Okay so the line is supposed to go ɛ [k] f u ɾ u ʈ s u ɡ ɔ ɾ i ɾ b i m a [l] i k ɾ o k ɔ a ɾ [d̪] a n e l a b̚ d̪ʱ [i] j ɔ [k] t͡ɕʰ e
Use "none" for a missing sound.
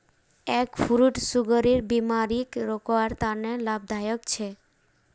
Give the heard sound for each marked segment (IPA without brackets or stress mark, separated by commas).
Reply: k, ɾ, t̪, a, k